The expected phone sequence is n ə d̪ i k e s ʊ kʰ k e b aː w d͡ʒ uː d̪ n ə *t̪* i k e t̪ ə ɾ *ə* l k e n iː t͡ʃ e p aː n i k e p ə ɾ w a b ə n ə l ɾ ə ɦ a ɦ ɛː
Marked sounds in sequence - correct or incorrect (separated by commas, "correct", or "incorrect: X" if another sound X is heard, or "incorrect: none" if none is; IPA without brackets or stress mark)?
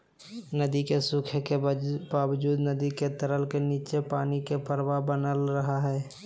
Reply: incorrect: d̪, correct